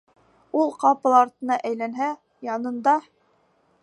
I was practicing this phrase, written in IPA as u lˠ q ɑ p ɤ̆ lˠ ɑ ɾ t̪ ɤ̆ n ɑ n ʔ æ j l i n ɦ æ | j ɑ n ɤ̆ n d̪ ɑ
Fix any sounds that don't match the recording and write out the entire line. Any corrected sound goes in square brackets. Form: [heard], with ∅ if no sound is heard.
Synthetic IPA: u lˠ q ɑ p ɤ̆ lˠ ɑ ɾ t̪ ɤ̆ n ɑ [∅] ʔ æ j l [æ] n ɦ æ | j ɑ n ɤ̆ n d̪ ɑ